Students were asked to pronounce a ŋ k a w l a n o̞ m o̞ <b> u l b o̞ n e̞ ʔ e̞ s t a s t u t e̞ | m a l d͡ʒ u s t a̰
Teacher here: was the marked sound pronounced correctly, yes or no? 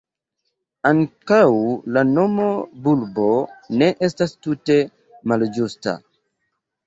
yes